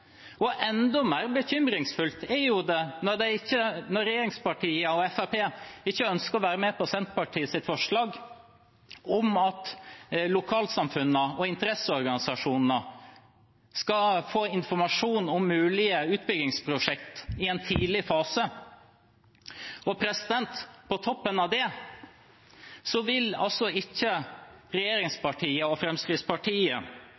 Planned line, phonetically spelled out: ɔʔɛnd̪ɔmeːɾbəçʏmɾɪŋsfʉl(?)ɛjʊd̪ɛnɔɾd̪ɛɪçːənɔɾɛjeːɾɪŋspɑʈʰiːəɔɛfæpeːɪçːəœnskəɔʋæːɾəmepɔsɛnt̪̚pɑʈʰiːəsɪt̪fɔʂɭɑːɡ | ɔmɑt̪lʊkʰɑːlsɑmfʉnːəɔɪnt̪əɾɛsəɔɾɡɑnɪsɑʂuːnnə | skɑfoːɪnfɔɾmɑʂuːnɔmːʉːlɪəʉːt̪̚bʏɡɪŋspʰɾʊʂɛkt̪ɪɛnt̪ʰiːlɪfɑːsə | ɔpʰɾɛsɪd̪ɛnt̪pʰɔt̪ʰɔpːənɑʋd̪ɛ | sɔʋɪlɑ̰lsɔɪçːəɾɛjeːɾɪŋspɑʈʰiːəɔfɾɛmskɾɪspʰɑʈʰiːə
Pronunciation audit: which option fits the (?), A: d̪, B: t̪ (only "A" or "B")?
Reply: B